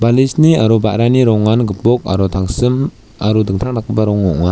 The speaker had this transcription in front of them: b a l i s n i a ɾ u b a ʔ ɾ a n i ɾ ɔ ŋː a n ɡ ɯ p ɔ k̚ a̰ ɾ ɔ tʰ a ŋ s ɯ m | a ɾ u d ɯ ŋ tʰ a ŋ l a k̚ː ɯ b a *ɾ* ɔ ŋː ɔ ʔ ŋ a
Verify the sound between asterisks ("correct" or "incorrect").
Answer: correct